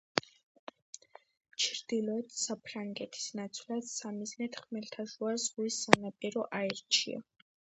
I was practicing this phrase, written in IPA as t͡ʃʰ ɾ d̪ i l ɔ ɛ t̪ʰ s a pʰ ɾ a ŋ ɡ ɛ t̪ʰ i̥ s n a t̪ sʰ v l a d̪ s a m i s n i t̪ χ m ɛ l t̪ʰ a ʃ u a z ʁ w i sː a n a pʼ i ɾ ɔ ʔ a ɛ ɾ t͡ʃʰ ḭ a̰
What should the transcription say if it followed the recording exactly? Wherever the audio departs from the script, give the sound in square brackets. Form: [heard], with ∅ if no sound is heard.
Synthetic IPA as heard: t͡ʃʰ ɾ d̪ i l ɔ ɛ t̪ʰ s a pʰ ɾ a ŋ ɡ ɛ t̪ʰ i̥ s n a t̪ sʰ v l a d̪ s a m i [z] n [ɛ] t̪ χ m ɛ l t̪ʰ a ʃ u a z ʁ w i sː a n a pʼ i ɾ ɔ ʔ a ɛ ɾ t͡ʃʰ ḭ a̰